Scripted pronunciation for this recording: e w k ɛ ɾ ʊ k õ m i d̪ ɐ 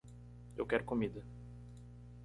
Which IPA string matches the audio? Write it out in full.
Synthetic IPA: e w k ɛ ɾ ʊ k o m i d̪ ɐ